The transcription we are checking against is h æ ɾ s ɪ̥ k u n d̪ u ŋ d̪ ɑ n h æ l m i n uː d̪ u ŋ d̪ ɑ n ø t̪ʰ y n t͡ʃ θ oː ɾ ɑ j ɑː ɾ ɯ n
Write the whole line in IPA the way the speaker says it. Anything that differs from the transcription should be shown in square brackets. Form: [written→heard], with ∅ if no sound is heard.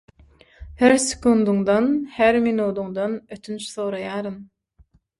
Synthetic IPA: h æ ɾ s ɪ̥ k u n d̪ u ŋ d̪ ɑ n h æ [l→ɾ] m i n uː d̪ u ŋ d̪ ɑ n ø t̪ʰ y n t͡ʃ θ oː ɾ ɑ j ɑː ɾ ɯ n